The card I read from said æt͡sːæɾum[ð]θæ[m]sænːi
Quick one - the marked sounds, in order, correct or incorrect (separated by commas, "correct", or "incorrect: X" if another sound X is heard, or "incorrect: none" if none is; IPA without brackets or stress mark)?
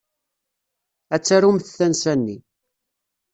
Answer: incorrect: θ, incorrect: n